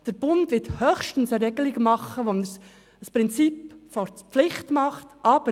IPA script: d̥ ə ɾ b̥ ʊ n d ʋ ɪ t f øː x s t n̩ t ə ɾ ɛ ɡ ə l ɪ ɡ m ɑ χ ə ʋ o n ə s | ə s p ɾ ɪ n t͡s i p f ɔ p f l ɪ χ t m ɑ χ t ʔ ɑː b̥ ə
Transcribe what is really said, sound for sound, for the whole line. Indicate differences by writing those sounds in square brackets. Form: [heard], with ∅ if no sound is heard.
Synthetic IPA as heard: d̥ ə ɾ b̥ ʊ n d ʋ ɪ t [h] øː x [ʃ] t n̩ [s] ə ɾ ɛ ɡ ə l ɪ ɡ m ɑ χ ə ʋ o n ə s | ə s p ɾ ɪ n t͡s i p f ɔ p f l ɪ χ t m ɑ χ t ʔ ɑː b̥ ə